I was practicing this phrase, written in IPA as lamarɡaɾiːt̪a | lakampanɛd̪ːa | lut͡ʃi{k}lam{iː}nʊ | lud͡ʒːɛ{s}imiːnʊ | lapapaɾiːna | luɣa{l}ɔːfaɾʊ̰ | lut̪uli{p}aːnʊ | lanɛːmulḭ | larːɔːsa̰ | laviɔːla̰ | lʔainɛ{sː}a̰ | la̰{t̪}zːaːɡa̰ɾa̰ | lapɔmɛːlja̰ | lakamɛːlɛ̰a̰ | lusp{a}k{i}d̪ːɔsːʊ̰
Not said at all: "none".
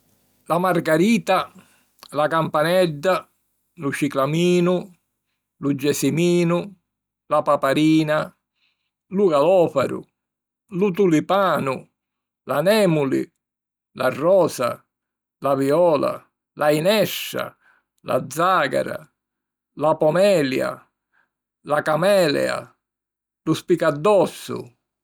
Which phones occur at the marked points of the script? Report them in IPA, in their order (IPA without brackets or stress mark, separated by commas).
k, iː, s, l, p, ʃː, d̪, i, a